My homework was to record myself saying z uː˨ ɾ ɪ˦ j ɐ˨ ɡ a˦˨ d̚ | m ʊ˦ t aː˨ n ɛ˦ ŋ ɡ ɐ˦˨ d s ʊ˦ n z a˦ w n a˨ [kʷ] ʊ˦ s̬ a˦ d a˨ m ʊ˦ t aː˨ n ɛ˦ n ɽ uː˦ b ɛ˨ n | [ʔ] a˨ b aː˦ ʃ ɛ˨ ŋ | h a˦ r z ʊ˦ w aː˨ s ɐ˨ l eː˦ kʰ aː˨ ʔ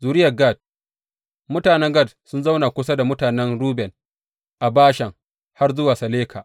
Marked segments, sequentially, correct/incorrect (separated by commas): correct, correct